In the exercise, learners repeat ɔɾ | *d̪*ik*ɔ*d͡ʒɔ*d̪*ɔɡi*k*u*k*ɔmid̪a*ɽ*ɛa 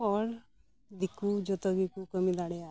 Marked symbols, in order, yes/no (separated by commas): yes, no, no, yes, yes, yes